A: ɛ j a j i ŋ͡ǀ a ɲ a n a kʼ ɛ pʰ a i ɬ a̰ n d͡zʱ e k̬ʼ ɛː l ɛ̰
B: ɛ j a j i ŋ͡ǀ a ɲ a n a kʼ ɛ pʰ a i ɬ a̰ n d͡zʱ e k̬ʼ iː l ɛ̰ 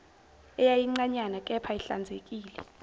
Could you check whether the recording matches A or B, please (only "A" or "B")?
B